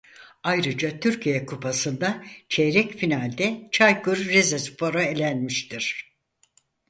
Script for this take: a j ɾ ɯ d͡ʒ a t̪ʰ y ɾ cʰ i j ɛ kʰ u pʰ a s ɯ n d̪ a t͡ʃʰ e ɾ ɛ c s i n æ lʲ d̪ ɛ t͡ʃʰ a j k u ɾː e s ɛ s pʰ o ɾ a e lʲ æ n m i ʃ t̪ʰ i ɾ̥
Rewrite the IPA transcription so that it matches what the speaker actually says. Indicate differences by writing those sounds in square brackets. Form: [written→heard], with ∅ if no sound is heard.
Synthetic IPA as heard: a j ɾ ɯ d͡ʒ a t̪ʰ y ɾ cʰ i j ɛ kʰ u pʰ a s ɯ n d̪ a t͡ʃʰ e ɾ ɛ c [s→f] i n [æ→a] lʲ d̪ ɛ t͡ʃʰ a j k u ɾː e [s→z] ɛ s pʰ o ɾ a e lʲ æ n m i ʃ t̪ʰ i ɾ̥